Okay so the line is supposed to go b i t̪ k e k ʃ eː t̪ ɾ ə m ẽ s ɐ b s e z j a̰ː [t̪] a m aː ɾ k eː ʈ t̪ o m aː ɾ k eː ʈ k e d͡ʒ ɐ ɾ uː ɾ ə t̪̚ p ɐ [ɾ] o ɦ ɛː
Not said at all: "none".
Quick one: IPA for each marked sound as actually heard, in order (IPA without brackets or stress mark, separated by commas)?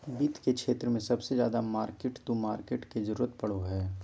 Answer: d̪, ɽ